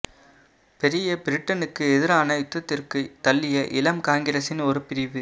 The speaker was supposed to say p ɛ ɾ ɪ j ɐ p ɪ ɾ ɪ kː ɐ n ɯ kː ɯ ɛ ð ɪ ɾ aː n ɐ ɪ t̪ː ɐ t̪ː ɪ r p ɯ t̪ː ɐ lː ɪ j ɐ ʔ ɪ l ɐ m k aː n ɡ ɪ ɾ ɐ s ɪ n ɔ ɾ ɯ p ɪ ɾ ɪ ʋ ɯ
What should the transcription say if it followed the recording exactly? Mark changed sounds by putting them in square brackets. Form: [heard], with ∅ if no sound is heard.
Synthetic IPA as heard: p ɛ ɾ ɪ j ɐ p ɪ ɾ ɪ [ʈː] ɐ n ɯ kː ɯ ɛ ð ɪ ɾ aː n ɐ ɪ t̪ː ɐ t̪ː ɪ r [k] ɯ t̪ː ɐ lː ɪ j ɐ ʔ ɪ l ɐ m k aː [ŋ] ɡ ɪ ɾ ɐ s ɪ n ɔ ɾ ɯ p ɪ ɾ ɪ ʋ ɯ